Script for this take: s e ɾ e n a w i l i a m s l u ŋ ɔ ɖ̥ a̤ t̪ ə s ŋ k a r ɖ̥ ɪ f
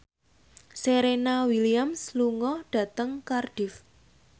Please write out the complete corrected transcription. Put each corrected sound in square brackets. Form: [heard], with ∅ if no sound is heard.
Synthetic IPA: s e ɾ e n a w i l i a m s l u ŋ ɔ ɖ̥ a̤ t̪ ə [∅] ŋ k a r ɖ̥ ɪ f